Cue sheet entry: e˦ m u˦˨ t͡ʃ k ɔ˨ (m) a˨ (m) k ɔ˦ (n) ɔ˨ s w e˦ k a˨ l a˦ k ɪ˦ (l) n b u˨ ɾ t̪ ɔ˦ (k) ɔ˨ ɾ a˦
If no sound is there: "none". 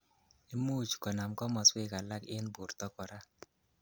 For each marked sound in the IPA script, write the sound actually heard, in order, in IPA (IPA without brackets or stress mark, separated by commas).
n, m, m, none, k